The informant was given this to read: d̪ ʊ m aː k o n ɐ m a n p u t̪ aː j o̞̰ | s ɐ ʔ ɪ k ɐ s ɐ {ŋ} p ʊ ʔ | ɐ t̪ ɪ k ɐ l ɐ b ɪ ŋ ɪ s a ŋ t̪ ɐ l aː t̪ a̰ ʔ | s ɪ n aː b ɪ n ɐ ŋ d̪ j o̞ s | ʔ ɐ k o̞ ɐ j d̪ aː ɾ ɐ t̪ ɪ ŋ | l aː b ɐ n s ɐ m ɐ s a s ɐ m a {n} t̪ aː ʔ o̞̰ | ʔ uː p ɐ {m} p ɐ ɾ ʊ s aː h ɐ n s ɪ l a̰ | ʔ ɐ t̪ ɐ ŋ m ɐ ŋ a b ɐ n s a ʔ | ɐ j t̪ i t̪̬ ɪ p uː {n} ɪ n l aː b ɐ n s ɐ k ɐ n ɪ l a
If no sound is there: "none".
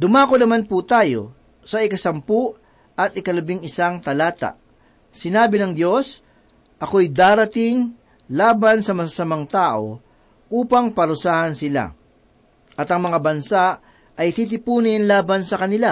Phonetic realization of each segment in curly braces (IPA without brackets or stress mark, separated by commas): m, ŋ, ŋ, n